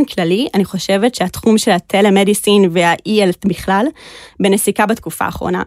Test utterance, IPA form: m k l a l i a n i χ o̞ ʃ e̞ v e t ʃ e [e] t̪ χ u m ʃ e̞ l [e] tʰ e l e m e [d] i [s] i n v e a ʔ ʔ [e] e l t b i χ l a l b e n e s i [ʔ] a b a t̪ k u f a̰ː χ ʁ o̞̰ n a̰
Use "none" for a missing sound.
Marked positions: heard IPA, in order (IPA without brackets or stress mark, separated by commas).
a, a, d, s, i, k